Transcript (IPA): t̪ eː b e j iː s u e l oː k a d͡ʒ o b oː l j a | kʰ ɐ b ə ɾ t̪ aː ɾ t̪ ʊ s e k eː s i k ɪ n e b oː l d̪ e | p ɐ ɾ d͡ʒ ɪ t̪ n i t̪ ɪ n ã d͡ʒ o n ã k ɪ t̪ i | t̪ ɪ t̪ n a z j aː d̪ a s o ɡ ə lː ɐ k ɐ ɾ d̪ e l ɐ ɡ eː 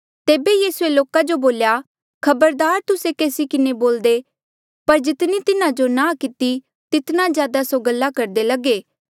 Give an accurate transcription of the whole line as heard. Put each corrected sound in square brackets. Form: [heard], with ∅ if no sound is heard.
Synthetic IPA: t̪ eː b e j iː s u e l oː k a d͡ʒ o b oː l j a | kʰ ɐ b ə ɾ [d̪] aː ɾ t̪ ʊ s e k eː s i k ɪ n e b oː l d̪ e | p ɐ ɾ d͡ʒ ɪ t̪ n i t̪ ɪ n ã d͡ʒ o n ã k ɪ t̪ i | t̪ ɪ t̪ n a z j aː d̪ a s o ɡ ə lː [a] k ɐ ɾ d̪ e l ɐ ɡ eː